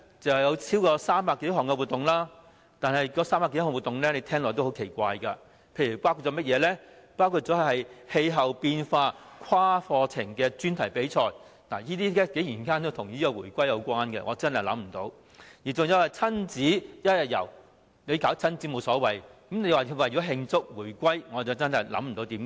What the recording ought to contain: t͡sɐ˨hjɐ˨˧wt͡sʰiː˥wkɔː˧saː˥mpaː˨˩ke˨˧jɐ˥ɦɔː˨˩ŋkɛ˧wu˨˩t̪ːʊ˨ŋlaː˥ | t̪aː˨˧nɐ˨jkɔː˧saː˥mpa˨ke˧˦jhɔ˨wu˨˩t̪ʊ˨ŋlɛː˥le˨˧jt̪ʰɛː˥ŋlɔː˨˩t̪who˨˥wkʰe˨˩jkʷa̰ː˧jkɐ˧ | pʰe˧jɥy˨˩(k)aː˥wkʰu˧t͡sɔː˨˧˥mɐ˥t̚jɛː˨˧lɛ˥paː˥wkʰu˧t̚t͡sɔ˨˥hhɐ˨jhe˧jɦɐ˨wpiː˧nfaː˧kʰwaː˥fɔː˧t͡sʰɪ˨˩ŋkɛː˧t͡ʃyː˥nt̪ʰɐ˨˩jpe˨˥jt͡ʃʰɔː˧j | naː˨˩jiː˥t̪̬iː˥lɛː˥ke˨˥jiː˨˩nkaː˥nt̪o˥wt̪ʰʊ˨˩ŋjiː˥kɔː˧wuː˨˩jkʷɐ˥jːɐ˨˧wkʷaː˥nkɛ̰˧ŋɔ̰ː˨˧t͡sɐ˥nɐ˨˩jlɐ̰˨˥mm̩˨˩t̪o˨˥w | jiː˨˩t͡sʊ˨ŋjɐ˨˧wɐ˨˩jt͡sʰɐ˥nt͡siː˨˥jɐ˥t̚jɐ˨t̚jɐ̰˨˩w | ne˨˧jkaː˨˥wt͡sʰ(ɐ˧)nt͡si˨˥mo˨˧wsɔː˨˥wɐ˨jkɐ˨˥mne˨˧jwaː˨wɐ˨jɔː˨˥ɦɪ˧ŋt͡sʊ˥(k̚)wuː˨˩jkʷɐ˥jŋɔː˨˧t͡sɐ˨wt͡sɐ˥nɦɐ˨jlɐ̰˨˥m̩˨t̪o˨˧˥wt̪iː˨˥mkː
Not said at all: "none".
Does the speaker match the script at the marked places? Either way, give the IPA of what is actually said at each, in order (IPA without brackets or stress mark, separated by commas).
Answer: p, ɐ˥, k̚